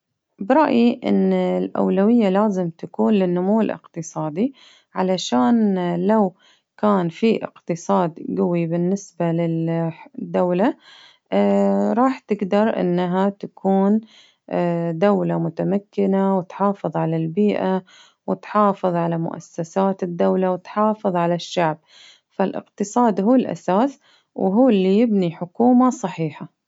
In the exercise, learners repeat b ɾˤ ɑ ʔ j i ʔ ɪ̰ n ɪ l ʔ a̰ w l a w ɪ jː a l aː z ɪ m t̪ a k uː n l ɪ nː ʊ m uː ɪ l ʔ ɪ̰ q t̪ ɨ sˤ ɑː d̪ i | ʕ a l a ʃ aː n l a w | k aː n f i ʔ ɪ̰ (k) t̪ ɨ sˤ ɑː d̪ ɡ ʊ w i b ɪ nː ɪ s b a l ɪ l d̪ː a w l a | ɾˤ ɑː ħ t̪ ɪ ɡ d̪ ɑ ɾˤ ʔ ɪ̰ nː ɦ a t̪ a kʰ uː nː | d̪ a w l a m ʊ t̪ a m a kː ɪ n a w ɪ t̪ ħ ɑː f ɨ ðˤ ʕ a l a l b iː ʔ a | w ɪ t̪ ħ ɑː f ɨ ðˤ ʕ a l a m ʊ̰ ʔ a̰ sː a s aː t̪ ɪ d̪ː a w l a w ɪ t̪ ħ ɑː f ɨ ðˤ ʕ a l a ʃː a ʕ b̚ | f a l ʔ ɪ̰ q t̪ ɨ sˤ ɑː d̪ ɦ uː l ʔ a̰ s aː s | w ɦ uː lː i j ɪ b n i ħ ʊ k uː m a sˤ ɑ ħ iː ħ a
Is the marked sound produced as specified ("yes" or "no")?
no